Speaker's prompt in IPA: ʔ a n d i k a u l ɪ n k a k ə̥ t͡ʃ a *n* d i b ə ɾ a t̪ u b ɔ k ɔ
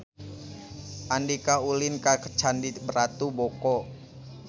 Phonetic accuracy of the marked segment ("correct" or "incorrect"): correct